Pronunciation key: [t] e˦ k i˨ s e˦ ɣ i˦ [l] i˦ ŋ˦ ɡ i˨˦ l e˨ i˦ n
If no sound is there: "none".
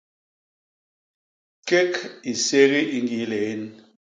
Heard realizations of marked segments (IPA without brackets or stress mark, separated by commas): k, none